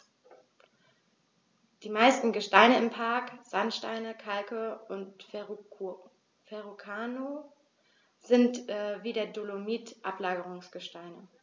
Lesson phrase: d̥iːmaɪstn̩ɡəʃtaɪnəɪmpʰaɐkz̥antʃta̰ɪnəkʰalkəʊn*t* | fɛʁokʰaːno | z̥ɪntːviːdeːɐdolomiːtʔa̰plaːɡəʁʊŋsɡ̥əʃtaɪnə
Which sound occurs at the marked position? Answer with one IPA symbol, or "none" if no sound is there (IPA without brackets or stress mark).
t